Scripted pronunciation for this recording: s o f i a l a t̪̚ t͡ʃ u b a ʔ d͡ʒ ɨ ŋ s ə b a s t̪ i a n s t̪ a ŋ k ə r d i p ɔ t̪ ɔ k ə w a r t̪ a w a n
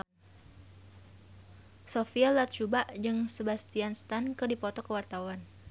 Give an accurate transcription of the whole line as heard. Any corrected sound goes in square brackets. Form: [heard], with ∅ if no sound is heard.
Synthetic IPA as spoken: s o f i a l a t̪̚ t͡ʃ u b a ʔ d͡ʒ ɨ ŋ s ə b a s t̪ i a n s t̪ a [n] k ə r d i p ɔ t̪ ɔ k ə w a r t̪ a w a n